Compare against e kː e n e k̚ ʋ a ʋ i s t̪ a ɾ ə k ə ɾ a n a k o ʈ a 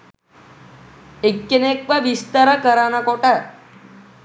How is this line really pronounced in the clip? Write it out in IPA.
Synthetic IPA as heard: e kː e n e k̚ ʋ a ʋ i s t̪ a ɾ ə k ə ɾ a n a k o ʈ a